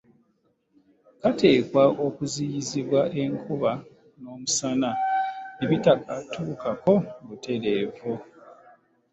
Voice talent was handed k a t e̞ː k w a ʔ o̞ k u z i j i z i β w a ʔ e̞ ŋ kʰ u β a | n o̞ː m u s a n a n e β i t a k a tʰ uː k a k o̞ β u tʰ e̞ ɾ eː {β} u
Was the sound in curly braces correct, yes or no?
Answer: no